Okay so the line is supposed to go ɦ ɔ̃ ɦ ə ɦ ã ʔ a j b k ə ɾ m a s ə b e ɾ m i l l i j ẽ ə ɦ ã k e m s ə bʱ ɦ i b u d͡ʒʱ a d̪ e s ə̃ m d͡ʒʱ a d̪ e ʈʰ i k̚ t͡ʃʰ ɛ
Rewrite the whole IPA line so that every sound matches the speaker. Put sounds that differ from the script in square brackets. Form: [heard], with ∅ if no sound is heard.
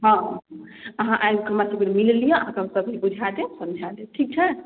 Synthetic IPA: ɦ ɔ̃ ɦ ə ɦ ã ʔ a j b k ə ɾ m a s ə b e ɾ m i l l i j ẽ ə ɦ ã k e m s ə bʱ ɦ i b u d͡ʒʱ a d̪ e s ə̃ m d͡ʒʱ a d̪ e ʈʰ i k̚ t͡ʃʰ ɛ